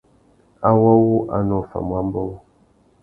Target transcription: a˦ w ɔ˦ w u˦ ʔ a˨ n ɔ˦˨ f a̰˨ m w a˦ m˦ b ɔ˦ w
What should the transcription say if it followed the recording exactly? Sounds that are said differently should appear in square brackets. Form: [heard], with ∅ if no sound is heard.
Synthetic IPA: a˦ w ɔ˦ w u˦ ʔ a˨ n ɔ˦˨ f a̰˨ m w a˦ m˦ b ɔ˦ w

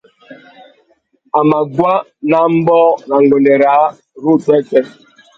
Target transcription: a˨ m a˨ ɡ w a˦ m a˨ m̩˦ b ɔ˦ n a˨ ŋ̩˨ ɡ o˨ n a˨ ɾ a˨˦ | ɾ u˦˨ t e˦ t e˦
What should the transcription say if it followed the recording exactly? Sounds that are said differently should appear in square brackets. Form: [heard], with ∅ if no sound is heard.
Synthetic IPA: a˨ m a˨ ɡ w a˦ [n] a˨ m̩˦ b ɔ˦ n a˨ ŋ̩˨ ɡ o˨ n [e˨] ɾ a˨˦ | ɾ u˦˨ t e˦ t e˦

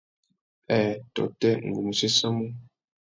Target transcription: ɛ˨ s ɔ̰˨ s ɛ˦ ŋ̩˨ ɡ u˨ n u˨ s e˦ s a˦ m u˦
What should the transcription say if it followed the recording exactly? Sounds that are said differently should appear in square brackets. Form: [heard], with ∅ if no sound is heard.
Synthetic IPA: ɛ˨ [t] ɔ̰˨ [t] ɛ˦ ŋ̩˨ ɡ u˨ [m] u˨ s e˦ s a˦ m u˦

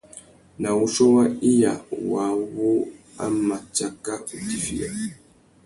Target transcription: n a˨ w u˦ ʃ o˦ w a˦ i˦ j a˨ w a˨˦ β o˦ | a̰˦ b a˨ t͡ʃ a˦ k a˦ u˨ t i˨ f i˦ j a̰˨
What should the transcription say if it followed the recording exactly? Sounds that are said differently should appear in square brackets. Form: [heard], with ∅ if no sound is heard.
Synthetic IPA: n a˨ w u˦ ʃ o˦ w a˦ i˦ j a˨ w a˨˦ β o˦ | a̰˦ [m] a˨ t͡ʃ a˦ k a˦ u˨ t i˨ f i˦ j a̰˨

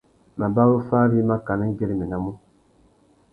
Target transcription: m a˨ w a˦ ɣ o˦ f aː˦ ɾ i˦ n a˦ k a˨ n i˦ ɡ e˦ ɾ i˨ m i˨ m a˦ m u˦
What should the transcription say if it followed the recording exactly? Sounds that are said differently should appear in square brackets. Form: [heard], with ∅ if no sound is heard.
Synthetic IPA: m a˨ [b] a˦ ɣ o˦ f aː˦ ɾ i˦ [m] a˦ k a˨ n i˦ ɡ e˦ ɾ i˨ m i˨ [n] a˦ m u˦

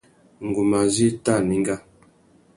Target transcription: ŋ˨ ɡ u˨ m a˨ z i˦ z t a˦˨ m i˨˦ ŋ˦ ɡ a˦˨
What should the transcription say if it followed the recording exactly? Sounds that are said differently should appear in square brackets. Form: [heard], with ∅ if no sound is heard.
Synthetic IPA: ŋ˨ ɡ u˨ m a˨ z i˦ [∅] t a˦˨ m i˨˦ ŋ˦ ɡ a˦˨

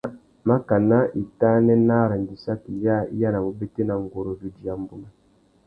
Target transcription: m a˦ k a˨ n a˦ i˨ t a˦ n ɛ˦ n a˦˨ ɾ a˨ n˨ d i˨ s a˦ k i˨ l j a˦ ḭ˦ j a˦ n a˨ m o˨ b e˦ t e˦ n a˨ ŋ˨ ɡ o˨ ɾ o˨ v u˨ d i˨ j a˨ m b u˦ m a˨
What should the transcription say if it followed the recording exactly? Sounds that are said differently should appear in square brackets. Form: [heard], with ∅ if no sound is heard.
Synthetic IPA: m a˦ k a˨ n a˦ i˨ t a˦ n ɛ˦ n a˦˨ ɾ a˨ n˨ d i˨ s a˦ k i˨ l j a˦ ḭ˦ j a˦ n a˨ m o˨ b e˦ t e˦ n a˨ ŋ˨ ɡ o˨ ɾ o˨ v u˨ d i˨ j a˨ m b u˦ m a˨

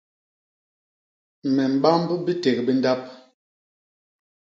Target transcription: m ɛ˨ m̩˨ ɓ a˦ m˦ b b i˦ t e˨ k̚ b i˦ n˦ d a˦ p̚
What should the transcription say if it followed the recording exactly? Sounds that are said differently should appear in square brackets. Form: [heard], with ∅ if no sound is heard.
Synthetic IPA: m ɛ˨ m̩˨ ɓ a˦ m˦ b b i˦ t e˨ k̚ b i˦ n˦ d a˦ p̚

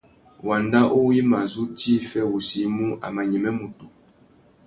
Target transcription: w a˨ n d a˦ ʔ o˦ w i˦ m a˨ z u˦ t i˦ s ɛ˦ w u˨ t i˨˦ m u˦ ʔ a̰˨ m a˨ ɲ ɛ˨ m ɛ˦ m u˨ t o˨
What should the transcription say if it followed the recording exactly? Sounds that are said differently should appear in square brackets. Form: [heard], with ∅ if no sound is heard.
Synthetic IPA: w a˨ n d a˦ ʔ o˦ w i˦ m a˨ z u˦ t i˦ [f] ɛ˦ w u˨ [s] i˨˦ m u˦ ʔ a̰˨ m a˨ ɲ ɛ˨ m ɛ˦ m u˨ t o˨

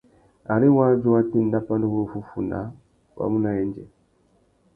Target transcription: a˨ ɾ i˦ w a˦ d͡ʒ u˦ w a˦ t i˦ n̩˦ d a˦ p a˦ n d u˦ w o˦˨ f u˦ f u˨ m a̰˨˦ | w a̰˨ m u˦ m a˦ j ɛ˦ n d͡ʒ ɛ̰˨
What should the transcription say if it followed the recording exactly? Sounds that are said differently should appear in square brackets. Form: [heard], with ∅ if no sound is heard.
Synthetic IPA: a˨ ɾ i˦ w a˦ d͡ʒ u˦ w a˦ t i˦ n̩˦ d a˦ p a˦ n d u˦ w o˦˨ f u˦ f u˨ [n] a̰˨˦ | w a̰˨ m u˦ [n] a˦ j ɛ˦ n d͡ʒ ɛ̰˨

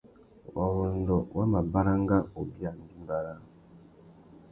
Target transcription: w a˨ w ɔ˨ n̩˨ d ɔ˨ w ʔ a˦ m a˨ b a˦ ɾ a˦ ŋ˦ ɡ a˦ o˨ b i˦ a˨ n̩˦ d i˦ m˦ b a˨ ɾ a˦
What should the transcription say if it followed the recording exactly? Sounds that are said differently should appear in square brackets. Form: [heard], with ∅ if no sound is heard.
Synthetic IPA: w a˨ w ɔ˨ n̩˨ d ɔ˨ w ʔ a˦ m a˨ b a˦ ɾ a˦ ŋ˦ ɡ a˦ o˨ b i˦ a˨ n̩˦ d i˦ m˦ b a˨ ɾ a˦

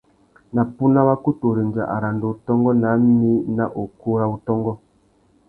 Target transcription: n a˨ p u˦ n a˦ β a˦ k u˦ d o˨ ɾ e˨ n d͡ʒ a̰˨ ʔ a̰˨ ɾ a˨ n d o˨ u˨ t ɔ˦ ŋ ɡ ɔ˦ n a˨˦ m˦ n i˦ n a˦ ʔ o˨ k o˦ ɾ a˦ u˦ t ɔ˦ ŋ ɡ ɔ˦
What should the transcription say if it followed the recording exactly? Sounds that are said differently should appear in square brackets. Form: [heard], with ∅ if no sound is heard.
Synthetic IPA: n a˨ p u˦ n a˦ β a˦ k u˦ [t] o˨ ɾ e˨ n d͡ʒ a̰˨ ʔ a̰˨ ɾ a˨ n d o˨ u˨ t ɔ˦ ŋ ɡ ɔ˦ n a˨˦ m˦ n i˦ n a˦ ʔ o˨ k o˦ ɾ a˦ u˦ t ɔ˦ ŋ ɡ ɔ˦

